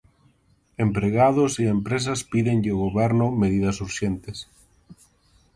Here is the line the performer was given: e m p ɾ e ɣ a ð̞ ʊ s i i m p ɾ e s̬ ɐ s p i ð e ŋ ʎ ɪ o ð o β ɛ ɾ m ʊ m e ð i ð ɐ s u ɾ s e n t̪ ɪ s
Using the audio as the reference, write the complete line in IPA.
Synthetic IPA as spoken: e m p ɾ e ɣ a ð̞ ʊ s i e m p ɾ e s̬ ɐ s p i ð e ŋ ʎ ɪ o ɣ o β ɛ ɾ n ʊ m e ð i ð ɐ s u ɾ ʃ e n t̪ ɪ s